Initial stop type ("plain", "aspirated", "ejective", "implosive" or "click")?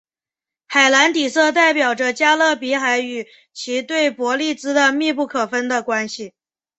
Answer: plain